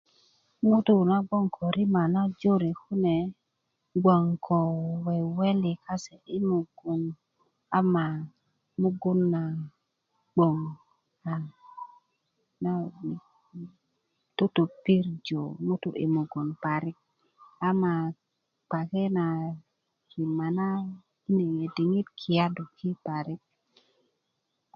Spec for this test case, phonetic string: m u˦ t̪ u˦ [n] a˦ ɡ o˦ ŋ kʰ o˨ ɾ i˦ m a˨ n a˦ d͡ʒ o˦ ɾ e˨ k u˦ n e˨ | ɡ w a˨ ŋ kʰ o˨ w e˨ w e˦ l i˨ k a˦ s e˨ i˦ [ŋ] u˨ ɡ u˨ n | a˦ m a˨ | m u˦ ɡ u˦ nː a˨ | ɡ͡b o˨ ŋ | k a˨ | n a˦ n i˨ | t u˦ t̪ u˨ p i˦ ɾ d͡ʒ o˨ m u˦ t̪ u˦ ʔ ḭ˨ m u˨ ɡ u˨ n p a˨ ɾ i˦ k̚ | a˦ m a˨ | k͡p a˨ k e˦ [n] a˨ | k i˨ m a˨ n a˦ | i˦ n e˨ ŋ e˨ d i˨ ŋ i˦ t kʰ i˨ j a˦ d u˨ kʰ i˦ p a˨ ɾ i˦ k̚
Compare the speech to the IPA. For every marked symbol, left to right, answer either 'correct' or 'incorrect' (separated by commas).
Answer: correct, incorrect, correct